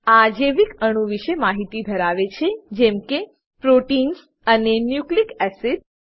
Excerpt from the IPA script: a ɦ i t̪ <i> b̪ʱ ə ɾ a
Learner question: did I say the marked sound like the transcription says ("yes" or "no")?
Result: yes